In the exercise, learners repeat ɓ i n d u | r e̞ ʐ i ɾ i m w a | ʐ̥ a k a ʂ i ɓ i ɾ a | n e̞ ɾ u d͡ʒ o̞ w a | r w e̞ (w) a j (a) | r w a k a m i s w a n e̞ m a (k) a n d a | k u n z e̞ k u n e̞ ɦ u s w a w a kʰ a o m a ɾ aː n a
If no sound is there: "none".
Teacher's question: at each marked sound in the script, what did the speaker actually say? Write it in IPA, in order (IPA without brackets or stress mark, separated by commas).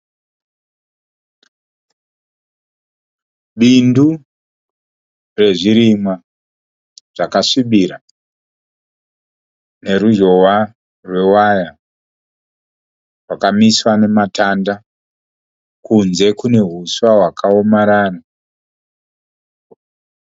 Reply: w, a, t